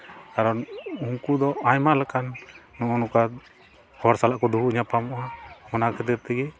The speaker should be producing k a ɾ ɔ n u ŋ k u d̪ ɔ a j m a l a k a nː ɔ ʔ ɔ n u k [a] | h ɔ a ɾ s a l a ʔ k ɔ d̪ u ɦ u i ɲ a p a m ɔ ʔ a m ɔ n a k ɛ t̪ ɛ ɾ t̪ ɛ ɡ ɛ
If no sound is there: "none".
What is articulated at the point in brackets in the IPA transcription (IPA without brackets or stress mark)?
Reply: a